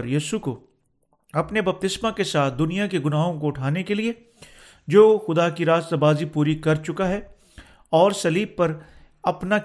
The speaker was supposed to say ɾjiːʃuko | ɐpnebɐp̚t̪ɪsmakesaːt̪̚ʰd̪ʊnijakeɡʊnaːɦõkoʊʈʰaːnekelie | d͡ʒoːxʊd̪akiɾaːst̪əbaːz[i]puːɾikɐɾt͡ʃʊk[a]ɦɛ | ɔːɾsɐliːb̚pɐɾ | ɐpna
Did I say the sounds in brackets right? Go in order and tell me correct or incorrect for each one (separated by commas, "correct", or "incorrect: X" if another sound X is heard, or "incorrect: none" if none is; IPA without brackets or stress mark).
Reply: correct, correct